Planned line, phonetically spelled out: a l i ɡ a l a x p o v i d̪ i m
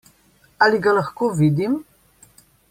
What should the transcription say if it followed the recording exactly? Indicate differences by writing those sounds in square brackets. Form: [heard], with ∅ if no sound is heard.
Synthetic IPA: a l i ɡ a l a x [k] o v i d̪ i m